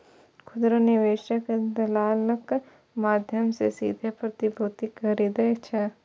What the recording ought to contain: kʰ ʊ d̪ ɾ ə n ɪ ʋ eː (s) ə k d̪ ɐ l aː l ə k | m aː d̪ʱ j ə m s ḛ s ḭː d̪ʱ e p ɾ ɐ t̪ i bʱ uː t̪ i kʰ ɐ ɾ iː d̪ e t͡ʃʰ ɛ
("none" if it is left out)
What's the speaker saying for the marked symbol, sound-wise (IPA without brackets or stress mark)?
ʃ